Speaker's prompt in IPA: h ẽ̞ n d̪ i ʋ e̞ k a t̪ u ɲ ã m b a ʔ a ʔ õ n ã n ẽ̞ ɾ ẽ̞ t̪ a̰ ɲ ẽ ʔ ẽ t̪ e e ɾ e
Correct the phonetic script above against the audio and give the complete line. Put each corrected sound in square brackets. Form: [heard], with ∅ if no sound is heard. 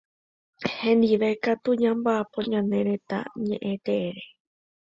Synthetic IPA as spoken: h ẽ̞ n d̪ i ʋ e̞ k a t̪ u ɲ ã m b a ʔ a [p] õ [ɲ] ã n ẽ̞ ɾ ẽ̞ t̪ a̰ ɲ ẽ ʔ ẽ t̪ e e ɾ e